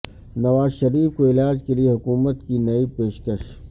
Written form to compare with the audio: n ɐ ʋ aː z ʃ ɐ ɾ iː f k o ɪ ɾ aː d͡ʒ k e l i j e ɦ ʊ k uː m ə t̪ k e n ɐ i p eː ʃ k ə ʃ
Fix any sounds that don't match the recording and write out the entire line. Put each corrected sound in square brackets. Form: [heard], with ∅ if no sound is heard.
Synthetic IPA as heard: n ɐ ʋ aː z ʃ ɐ ɾ iː f k o ɪ [l] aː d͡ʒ k e l i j e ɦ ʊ k uː m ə t̪ k [i] n ɐ i p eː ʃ k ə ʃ